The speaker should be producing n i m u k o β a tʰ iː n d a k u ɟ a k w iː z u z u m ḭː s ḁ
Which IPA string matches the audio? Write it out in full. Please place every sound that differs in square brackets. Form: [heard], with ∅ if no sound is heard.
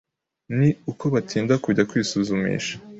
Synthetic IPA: n i [∅] u k o β a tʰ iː n d a k u ɟ a k w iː [s] u z u m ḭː [ʃ] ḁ